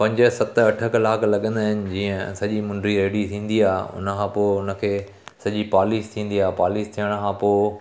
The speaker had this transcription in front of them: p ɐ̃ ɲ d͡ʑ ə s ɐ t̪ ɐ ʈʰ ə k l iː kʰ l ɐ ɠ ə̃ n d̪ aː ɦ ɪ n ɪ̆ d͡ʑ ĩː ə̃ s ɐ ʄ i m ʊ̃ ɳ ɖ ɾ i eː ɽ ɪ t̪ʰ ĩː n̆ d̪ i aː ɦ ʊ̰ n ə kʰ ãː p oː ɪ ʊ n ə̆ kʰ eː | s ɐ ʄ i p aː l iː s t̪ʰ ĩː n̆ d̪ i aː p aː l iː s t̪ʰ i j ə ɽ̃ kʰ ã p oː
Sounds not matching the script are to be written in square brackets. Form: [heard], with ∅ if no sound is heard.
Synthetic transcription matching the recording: p ɐ̃ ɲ d͡ʑ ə s ɐ t̪ ɐ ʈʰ ə k l [aː] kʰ l ɐ ɠ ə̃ n d̪ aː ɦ ɪ n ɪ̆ d͡ʑ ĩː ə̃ s ɐ ʄ i m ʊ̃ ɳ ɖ ɾ i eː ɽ [i] t̪ʰ ĩː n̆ d̪ i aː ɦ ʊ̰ n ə kʰ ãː p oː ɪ ʊ n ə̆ kʰ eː | s ɐ ʄ i p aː l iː s t̪ʰ ĩː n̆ d̪ i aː p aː l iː s t̪ʰ i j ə ɽ̃ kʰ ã p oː